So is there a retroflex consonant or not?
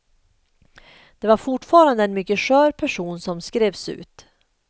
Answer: yes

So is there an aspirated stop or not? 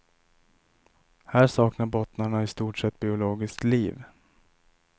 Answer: no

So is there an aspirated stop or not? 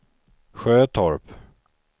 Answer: yes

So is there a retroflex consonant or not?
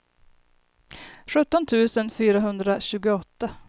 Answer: no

